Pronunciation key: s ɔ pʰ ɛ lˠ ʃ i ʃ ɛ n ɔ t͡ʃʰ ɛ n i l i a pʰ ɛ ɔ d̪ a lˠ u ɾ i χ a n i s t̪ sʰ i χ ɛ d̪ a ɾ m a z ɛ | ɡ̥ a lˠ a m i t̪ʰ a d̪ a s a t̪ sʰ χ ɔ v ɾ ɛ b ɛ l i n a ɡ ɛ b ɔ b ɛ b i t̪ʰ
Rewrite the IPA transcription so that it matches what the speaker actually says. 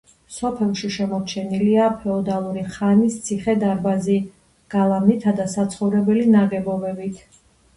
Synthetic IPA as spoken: s ɔ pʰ ɛ lˠ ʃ i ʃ ɛ m ɔ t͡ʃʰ ɛ n i l i a pʰ ɛ ɔ d̪ a lˠ u ɾ i χ a n i s t̪ sʰ i χ ɛ d̪ a ɾ b a z i | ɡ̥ a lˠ a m i t̪ʰ a d̪ a s a t̪ sʰ χ ɔ v ɾ ɛ b ɛ l i n a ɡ ɛ b ɔ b ɛ b i t̪ʰ

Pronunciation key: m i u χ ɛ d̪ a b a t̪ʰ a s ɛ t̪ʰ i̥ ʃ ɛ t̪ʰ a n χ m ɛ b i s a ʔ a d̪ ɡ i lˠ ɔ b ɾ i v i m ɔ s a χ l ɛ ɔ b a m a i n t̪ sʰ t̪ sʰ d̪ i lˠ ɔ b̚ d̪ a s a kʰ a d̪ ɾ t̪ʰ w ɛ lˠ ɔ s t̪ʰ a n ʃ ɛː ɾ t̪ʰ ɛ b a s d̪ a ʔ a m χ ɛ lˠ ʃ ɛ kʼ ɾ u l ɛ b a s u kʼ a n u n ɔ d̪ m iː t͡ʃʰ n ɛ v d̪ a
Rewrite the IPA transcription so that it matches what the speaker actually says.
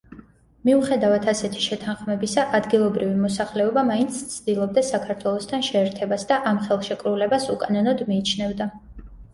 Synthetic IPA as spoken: m i u χ ɛ d̪ a v a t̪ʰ a s ɛ t̪ʰ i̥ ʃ ɛ t̪ʰ a n χ m ɛ b i s a ʔ a d̪ ɡ i lˠ ɔ b ɾ i v i m ɔ s a χ l ɛ ɔ b a m a i n t̪ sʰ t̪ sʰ d̪ i lˠ ɔ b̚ d̪ a s a kʰ a ɾ t̪ʰ w ɛ lˠ ɔ s t̪ʰ a n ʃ ɛː ɾ t̪ʰ ɛ b a s d̪ a ʔ a m χ ɛ lˠ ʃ ɛ kʼ ɾ u l ɛ b a s u kʼ a n ɔ n ɔ d̪ m iː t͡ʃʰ n ɛ v d̪ a

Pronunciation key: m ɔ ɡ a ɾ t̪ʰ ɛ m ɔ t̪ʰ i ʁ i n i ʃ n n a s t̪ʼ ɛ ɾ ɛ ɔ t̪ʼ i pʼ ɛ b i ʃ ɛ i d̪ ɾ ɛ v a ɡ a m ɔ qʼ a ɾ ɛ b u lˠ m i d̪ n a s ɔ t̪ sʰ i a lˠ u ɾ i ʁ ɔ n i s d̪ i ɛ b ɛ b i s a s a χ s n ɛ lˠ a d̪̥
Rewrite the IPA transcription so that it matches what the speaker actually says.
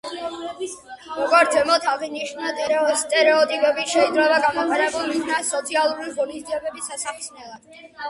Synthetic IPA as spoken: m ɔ ɡ a ɾ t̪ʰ ɛ m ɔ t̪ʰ a ʁ i n i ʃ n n a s t̪ʼ ɛ ɾ ɛ ɔ t̪ʼ i pʼ ɛ b i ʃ ɛ i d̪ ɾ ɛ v a ɡ a m ɔ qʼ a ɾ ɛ b u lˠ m i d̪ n a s ɔ t̪ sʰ i a lˠ u ɾ i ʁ ɔ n i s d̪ i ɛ b ɛ b i s a s a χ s n ɛ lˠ a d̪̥

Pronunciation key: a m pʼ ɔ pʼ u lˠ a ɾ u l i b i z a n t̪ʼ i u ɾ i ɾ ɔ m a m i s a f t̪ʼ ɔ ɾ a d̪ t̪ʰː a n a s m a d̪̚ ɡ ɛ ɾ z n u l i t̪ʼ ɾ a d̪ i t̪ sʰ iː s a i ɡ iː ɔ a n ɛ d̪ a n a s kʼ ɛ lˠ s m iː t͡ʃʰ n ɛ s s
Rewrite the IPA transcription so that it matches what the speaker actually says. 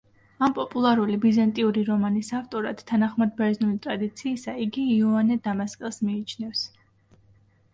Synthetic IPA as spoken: a m pʼ ɔ pʼ u lˠ a ɾ u l i b i z a n t̪ʼ i u ɾ i ɾ ɔ m a n i s a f t̪ʼ ɔ ɾ a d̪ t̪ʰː a n a χ m a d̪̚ b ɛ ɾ z n u l i t̪ʼ ɾ a d̪ i t̪ sʰ iː s a i ɡ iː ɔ a n ɛ d̪ a m a s kʼ ɛ lˠ s m iː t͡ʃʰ n ɛ f s

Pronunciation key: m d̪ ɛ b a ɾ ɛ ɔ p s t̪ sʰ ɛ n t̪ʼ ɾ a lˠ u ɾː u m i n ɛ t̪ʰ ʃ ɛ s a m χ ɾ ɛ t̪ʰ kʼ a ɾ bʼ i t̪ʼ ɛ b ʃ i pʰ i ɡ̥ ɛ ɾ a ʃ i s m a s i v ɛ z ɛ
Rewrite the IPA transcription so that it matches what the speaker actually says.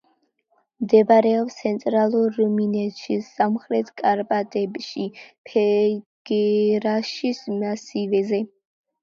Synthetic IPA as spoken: m d̪ ɛ b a ɾ ɛ ɔ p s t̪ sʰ ɛ n t̪ʼ ɾ a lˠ u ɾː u m i n ɛ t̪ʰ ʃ i s a m χ ɾ ɛ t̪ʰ kʼ a ɾ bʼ a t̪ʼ ɛ b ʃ i pʰ ɛ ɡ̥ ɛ ɾ a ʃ i s m a s i v ɛ z ɛ

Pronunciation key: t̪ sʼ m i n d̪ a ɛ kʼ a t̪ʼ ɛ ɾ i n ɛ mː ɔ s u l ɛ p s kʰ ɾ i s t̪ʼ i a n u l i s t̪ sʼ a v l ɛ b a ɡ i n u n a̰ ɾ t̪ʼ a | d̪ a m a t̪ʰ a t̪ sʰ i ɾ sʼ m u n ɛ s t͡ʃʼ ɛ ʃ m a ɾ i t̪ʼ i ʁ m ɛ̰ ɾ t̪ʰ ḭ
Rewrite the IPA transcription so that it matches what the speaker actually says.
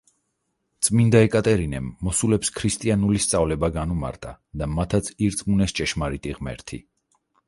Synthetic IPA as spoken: t̪ sʼ m i n d̪ a ɛ kʼ a t̪ʼ ɛ ɾ i n ɛ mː ɔ s u l ɛ p s kʰ ɾ i s t̪ʼ i a n u l i s t̪ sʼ a v l ɛ b a ɡ a n u m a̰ ɾ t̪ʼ a | d̪ a m a t̪ʰ a t̪ sʰ i ɾ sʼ m u n ɛ s t͡ʃʼ ɛ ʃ m a ɾ i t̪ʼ i ʁ m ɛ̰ ɾ t̪ʰ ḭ

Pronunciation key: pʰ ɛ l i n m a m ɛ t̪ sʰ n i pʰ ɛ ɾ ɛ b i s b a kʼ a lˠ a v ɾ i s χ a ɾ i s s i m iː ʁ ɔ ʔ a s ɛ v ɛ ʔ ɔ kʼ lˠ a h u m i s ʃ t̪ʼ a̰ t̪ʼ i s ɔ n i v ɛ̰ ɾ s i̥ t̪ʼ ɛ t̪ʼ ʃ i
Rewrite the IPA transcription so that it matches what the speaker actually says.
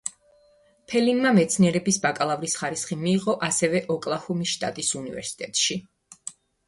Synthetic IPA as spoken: pʰ ɛ l i n m a m ɛ t̪ sʰ n i ɛ ɾ ɛ b i s b a kʼ a lˠ a v ɾ i s χ a ɾ i s χ i m iː ʁ ɔ ʔ a s ɛ v ɛ ʔ ɔ kʼ lˠ a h u m i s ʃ t̪ʼ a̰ t̪ʼ i s u n i v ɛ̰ ɾ s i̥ t̪ʼ ɛ t̪ʼ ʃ i

